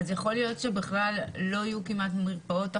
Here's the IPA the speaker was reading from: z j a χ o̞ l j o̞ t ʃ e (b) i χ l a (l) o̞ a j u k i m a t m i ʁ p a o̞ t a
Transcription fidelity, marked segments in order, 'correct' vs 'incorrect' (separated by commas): correct, incorrect